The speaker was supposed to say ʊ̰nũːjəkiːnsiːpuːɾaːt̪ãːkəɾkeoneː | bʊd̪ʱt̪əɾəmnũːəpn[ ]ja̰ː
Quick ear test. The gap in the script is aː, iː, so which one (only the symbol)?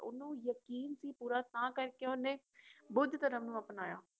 aː